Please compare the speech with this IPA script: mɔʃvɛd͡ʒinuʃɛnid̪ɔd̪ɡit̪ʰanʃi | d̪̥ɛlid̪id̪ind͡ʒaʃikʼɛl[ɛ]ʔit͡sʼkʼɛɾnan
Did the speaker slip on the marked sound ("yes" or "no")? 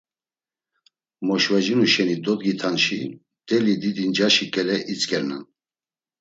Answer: no